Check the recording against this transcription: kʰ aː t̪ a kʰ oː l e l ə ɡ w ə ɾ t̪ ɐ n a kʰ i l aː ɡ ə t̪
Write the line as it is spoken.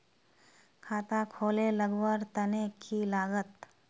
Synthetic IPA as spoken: kʰ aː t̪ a kʰ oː l e l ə ɡ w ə ɾ t̪ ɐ n e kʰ i l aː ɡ ə t̪